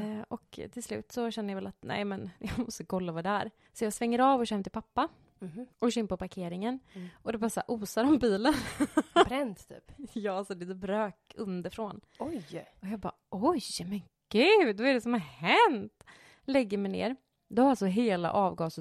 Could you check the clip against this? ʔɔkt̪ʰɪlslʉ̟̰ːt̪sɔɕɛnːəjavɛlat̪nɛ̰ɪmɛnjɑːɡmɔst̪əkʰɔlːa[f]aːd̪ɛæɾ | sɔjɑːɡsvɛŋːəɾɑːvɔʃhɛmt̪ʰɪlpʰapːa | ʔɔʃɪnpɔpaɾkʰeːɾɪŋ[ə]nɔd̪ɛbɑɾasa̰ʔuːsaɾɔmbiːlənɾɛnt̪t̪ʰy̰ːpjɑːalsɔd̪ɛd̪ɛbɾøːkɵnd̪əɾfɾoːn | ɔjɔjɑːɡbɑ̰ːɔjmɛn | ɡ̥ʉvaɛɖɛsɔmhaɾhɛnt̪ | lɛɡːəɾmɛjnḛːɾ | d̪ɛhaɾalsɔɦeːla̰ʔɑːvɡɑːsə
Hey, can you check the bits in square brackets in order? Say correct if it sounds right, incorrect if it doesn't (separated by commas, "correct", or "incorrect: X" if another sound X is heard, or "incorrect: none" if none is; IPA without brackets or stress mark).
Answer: incorrect: v, correct